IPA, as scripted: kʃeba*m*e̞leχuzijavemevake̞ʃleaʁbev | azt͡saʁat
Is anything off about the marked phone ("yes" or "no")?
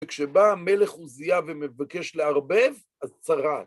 no